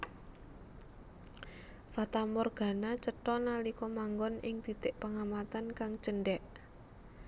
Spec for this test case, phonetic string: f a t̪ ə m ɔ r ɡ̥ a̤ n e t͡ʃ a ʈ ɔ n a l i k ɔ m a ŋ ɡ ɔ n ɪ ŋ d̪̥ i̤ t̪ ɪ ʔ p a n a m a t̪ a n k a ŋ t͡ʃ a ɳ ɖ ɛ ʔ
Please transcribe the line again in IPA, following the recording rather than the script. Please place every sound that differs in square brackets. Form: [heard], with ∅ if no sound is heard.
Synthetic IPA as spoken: f a t̪ [a] m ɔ r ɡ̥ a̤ n [a] t͡ʃ [ə] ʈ ɔ n a l i k ɔ m a ŋ ɡ ɔ n ɪ ŋ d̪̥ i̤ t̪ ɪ ʔ p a [ŋ] a m a t̪ a n k a ŋ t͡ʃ [ə] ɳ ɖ ɛ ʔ